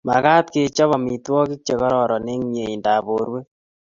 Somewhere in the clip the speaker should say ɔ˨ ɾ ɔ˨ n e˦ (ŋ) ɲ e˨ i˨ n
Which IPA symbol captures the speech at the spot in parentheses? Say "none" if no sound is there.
ŋ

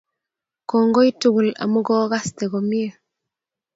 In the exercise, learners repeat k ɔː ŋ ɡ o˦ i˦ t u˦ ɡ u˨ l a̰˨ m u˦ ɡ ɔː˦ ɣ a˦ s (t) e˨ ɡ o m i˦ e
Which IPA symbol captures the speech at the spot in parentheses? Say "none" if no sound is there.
t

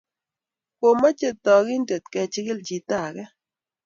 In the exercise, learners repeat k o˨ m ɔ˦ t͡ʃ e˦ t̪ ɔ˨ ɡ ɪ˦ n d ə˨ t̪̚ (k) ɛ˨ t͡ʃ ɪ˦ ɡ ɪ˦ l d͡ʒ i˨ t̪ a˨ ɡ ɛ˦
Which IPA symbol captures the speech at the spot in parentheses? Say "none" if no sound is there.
k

